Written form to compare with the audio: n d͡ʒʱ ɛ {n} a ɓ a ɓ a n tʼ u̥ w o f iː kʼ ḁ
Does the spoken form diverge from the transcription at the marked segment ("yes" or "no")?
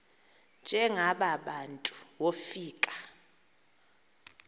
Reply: yes